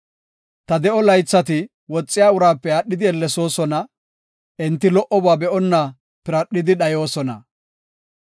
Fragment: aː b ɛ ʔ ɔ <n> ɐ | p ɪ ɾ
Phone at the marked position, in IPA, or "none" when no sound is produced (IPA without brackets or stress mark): nː